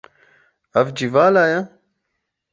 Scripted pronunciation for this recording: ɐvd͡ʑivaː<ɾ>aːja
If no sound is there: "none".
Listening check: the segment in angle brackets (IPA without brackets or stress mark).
l